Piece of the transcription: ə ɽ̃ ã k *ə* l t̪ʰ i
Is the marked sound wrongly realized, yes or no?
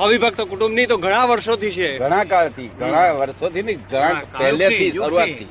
yes